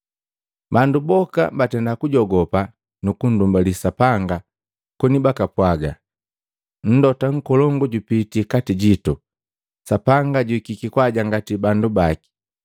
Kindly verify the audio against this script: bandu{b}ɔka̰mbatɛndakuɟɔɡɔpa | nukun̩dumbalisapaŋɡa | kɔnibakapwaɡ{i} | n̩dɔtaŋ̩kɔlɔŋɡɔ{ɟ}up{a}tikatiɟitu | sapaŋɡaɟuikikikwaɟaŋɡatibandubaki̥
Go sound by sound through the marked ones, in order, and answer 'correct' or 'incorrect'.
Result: correct, incorrect: a, correct, incorrect: i

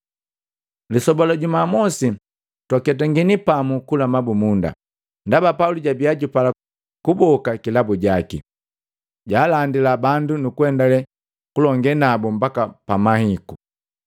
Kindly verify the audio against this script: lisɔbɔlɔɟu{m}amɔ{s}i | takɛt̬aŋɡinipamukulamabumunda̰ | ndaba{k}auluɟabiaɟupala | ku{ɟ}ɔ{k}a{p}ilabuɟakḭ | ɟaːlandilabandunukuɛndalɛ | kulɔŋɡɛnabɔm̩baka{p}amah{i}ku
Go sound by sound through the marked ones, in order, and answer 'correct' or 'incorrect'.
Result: correct, correct, incorrect: p, incorrect: b, correct, incorrect: k, correct, correct

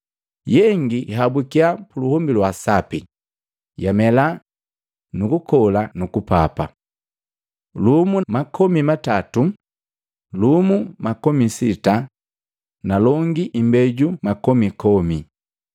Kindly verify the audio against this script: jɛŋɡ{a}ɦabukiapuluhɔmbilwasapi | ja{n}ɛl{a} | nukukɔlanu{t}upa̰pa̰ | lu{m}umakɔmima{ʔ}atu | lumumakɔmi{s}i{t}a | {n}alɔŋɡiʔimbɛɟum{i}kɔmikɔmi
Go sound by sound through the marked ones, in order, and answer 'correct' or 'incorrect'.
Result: incorrect: i, incorrect: m, correct, incorrect: k, correct, incorrect: t, correct, correct, correct, incorrect: a

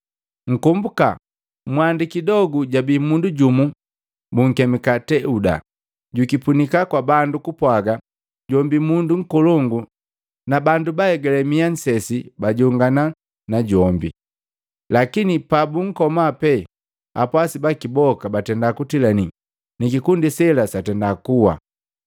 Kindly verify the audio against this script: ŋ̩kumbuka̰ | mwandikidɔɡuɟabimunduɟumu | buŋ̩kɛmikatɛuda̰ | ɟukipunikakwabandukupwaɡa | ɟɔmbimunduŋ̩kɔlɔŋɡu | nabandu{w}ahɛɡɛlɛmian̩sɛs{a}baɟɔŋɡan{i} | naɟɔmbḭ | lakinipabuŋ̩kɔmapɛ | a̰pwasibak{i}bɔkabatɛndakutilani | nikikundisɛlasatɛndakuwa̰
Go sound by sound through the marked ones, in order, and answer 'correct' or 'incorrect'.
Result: incorrect: b, incorrect: i, incorrect: a, correct

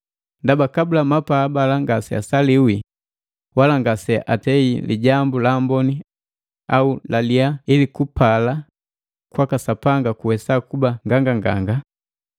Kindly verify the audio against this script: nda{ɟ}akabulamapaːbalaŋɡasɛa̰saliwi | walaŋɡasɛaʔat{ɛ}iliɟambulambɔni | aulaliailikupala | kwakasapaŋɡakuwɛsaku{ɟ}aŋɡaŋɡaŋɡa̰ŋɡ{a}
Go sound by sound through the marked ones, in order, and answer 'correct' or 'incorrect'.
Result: incorrect: b, correct, incorrect: b, correct

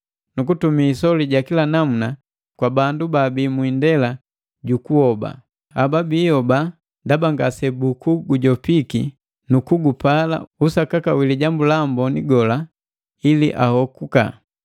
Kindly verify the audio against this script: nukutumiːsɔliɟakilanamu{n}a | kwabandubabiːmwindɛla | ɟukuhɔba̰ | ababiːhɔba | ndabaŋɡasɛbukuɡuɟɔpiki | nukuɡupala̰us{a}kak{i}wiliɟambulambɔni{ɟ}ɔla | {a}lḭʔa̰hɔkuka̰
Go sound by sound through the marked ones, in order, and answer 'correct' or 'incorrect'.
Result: correct, correct, incorrect: a, incorrect: ɡ, incorrect: i

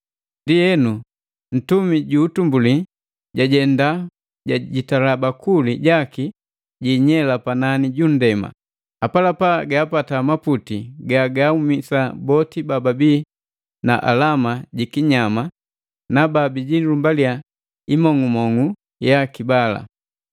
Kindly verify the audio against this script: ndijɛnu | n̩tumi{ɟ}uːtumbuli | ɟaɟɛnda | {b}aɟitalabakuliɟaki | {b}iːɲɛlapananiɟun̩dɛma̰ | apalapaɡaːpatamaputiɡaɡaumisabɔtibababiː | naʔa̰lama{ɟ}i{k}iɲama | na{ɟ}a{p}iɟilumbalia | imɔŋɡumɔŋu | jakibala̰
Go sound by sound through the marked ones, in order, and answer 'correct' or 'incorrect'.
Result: correct, incorrect: ɟ, incorrect: ɟ, correct, correct, incorrect: b, incorrect: b

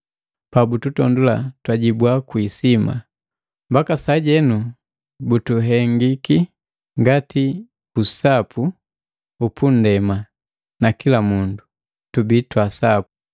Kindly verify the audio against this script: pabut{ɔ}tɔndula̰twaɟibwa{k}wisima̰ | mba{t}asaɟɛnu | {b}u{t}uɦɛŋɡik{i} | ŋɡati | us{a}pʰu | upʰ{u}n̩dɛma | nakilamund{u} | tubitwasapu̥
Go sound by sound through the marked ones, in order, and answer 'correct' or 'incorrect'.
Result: incorrect: u, correct, incorrect: k, correct, correct, correct, correct, correct, correct

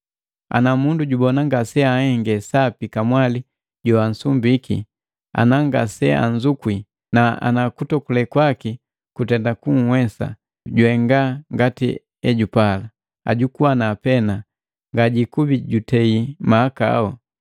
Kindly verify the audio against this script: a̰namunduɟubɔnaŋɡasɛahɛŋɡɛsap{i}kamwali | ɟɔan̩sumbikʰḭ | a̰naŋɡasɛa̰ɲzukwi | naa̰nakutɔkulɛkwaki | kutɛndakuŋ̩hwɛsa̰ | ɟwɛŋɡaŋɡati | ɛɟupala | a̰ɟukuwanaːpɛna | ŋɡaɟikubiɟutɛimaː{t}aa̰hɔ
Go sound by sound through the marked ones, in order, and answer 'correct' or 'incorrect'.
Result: correct, incorrect: k

